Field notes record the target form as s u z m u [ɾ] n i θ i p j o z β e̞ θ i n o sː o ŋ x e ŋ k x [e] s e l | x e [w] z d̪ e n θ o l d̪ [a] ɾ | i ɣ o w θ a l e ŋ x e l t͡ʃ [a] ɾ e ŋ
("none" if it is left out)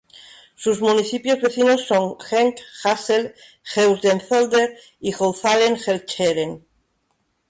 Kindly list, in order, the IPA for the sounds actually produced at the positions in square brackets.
none, a, w, e, e

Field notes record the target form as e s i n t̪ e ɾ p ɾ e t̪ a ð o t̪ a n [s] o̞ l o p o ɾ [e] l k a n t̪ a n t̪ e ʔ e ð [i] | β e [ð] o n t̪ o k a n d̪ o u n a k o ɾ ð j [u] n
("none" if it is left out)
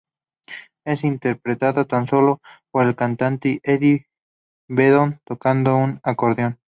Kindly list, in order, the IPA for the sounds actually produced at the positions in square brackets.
s, e, i, ð, o

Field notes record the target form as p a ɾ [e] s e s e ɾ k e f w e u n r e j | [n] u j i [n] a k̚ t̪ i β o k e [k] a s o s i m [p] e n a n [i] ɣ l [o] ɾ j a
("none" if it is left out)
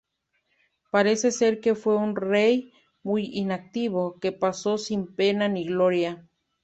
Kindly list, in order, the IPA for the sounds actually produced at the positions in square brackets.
e, m, n, p, p, i, o

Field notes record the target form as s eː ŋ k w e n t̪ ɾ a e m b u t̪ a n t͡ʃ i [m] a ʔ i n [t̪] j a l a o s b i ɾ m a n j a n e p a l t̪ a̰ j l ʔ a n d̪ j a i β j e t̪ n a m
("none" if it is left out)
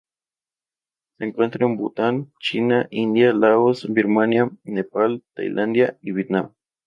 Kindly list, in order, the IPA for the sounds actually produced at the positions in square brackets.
n, d̪

